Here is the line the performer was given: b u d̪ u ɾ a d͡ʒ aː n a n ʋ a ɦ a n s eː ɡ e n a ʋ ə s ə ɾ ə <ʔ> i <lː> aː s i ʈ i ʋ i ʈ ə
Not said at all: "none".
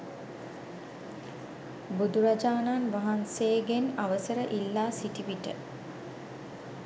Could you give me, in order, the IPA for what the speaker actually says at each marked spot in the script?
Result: ʔ, lː

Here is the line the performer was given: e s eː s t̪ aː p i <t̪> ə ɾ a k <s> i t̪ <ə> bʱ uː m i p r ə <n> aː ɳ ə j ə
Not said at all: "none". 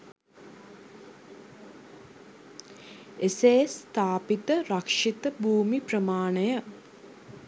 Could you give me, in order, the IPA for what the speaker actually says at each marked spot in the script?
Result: t̪, ʂ, ə, m

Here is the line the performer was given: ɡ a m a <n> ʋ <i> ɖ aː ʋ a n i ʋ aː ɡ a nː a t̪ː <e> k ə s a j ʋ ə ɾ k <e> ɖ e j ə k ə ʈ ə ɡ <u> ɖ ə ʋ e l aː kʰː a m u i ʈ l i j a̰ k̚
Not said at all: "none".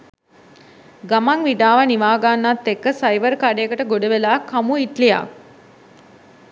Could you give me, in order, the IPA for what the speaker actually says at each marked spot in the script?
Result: ŋ, i, e, a, o

